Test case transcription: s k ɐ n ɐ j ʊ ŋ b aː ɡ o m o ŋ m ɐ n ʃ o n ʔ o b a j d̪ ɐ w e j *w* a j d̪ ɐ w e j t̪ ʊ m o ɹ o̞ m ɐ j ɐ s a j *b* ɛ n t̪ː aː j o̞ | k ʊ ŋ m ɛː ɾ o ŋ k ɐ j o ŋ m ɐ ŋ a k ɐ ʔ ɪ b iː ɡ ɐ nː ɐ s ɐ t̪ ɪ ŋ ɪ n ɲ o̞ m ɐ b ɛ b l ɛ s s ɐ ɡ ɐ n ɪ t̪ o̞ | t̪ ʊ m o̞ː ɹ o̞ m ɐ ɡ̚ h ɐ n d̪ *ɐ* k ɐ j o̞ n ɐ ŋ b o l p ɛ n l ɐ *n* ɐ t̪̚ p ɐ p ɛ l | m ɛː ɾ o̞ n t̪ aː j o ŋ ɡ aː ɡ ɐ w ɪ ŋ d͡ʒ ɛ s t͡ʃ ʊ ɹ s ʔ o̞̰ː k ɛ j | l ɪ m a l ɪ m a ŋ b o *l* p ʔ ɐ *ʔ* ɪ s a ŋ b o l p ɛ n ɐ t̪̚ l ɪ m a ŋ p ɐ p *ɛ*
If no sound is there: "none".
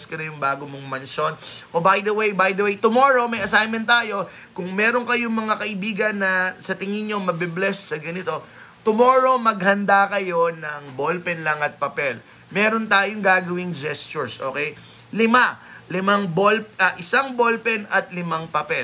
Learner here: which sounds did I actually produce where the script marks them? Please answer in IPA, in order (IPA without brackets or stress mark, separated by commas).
b, m, a, ŋ, l, ʔ, ɛ